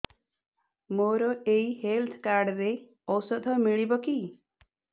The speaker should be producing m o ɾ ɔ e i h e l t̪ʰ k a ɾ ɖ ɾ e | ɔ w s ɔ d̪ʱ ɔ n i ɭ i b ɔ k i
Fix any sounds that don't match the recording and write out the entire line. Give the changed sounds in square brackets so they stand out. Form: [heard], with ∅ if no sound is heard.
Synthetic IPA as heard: m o ɾ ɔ e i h e l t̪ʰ k a ɾ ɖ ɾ e | ɔ w s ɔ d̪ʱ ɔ [m] i ɭ i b ɔ k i

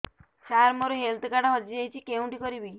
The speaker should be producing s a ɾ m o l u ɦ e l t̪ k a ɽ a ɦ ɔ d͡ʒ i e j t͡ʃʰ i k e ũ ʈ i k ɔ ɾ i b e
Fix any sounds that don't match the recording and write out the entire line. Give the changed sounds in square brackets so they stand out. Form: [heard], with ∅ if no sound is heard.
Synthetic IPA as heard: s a ɾ m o [ɾ] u ɦ e l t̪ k a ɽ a ɦ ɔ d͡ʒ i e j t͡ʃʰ i k e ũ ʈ i k ɔ ɾ i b [i]

